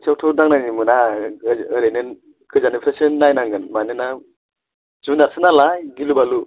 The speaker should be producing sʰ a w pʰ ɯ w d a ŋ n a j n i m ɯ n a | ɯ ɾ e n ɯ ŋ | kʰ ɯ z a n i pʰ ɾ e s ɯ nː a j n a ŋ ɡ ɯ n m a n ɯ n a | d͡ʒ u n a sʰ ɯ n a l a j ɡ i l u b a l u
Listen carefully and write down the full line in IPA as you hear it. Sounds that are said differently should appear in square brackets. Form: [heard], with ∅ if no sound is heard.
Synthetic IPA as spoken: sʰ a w [tʰ] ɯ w d a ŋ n a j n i m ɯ n a | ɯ ɾ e n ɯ [n] | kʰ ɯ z a n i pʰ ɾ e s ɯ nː a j n a ŋ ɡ ɯ n m a n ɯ n a | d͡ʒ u n a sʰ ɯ n a l a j ɡ i l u b a l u